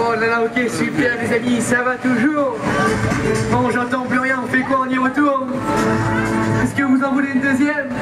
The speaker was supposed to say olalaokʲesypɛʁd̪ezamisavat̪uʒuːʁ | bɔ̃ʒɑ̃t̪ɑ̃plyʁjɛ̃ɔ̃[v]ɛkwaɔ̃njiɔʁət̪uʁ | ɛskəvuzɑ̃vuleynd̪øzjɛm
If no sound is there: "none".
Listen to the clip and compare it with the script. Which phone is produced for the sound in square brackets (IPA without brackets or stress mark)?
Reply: f